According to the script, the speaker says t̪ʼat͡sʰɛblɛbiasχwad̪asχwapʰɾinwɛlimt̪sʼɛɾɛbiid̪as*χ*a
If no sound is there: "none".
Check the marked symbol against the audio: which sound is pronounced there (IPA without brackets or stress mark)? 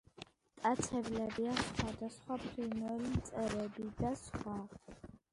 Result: χ